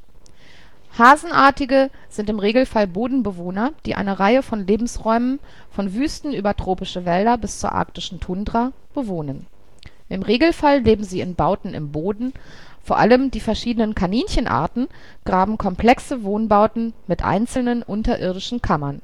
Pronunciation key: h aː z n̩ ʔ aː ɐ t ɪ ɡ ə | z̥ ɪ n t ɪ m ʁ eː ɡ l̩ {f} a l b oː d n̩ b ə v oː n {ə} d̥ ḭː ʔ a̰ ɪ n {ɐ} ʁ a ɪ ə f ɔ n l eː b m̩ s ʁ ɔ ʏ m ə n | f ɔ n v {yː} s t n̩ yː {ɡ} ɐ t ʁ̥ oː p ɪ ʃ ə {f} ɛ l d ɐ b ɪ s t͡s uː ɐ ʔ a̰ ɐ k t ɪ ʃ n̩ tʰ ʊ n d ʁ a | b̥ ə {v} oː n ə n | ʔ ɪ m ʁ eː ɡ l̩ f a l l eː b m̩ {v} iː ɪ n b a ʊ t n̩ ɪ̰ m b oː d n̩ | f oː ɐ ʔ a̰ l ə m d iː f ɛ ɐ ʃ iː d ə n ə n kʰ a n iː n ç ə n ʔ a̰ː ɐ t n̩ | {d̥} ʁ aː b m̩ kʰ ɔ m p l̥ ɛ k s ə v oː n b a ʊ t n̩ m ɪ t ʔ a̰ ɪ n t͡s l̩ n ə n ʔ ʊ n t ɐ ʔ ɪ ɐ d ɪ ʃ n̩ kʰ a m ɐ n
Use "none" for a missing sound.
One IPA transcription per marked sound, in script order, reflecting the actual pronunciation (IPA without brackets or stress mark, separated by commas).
f, ɐ, ə, yː, b, v, v, z, ɡ̥